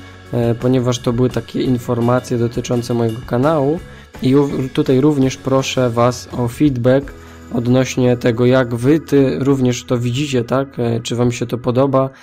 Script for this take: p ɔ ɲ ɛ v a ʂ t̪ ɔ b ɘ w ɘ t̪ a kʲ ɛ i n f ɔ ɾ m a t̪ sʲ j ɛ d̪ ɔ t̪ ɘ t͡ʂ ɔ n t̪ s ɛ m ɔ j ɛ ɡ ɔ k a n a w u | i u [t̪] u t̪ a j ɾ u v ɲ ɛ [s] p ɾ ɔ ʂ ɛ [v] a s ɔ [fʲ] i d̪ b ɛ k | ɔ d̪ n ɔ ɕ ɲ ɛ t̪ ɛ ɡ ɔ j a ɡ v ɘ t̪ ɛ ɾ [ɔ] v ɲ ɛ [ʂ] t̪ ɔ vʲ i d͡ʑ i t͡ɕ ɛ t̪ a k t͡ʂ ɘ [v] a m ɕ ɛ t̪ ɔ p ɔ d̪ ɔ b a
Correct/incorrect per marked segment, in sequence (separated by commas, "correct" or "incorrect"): correct, incorrect, correct, correct, incorrect, correct, correct